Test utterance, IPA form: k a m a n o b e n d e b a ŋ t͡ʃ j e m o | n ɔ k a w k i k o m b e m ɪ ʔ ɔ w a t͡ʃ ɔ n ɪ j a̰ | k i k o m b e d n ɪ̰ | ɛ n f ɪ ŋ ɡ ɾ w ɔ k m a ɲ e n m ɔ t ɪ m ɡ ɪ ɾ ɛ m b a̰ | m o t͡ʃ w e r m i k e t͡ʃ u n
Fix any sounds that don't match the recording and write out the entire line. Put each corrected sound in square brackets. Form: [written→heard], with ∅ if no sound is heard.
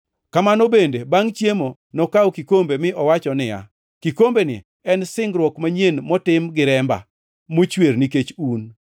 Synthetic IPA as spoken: k a m a n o b e n d e b a ŋ t͡ʃ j e m o | n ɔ k a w k i k o m b e m ɪ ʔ ɔ w a t͡ʃ ɔ n ɪ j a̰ | k i k o m b e [d→∅] n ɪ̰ | ɛ n [f→s] ɪ ŋ ɡ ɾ w ɔ k m a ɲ e n m ɔ t ɪ m ɡ ɪ ɾ ɛ m b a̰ | m o t͡ʃ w e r [m→n] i k e t͡ʃ u n